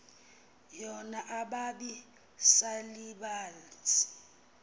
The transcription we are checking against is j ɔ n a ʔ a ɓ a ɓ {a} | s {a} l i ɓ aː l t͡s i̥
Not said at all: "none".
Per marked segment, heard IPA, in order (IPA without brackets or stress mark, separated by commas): i, a